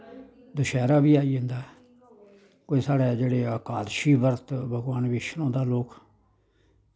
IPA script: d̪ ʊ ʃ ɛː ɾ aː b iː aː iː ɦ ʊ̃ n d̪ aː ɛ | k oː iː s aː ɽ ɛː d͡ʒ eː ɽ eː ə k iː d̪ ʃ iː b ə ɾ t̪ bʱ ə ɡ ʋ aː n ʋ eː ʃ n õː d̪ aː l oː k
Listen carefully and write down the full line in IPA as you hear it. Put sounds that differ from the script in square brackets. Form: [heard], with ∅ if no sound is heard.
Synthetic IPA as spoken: d̪ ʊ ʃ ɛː ɾ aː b iː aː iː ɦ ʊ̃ n d̪ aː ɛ | k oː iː s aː ɽ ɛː d͡ʒ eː ɽ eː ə k [aː] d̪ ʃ iː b ə ɾ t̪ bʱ ə ɡ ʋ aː n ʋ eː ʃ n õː d̪ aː l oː k